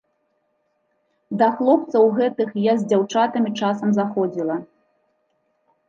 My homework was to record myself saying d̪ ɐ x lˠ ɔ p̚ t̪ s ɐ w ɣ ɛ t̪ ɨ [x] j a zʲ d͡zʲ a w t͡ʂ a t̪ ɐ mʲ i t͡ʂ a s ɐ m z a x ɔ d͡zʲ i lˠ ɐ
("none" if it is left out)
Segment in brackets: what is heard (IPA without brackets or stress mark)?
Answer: x